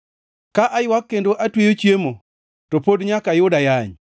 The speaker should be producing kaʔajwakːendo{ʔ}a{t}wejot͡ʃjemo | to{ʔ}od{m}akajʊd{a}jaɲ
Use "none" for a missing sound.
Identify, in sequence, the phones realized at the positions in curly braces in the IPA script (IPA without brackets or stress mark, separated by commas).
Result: ʔ, t, p, ɲ, a